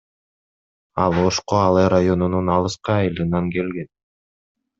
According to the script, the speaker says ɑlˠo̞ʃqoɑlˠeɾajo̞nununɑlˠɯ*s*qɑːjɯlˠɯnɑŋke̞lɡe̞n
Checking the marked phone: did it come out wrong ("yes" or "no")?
no